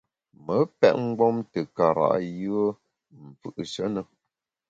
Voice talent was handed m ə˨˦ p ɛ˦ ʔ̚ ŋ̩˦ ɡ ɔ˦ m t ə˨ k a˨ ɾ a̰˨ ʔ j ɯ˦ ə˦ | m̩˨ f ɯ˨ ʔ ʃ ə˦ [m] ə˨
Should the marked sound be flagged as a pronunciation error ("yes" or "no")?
yes